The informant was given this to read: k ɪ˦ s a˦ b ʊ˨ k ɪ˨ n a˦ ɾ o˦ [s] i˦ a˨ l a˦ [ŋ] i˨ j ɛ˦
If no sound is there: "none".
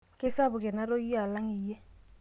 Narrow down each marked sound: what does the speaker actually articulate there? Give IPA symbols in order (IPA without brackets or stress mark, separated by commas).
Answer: none, ŋ